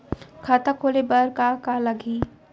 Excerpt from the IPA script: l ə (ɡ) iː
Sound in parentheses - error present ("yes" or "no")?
no